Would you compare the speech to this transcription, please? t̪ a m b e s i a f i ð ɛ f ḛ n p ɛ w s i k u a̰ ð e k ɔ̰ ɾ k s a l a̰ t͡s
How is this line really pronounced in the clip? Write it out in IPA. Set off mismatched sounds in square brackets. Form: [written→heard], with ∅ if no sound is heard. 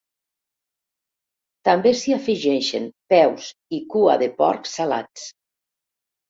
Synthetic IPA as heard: t̪ a m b e s i a f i [ð→ʒ] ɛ [f→ʃ] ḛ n p ɛ w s i k u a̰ ð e [k→p] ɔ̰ ɾ k s a l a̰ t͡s